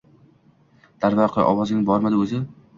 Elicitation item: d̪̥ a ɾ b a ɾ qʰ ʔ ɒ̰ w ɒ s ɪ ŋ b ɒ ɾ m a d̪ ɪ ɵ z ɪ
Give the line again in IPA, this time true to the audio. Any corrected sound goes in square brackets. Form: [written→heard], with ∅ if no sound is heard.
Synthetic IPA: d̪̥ a ɾ [b→v] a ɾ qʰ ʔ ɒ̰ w ɒ [s→z] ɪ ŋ b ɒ ɾ m a d̪ ɪ ɵ z ɪ